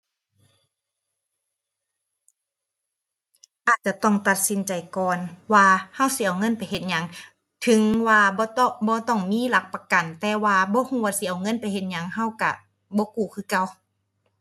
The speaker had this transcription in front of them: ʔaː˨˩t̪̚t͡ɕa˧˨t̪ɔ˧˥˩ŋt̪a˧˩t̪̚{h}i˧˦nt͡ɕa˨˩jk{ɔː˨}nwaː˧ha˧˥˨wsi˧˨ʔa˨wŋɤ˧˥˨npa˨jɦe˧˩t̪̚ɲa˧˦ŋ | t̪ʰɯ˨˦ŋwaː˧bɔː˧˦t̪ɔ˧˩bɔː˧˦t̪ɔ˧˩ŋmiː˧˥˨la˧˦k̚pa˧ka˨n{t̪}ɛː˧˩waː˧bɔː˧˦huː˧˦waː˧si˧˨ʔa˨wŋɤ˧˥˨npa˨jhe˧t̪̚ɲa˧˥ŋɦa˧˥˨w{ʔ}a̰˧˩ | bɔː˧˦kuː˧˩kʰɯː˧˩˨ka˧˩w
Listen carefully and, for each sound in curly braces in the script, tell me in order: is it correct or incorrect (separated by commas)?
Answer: incorrect, correct, correct, incorrect